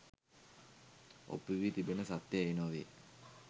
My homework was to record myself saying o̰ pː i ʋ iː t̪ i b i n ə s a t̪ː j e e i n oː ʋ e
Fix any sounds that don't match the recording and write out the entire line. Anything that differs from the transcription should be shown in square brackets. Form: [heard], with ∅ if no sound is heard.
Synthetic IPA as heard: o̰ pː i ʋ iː t̪ i b [e] n ə s a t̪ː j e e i n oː ʋ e